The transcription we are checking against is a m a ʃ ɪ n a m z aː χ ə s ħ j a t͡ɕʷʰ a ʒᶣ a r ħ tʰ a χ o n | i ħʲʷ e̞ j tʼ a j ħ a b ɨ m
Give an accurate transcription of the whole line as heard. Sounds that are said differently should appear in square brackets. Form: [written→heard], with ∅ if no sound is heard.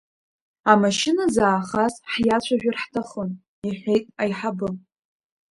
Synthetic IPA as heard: a m a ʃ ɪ n a [m→∅] z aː χ [ə→a] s ħ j a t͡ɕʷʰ a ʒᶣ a r ħ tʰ a χ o n | i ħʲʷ e̞ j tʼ a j ħ a b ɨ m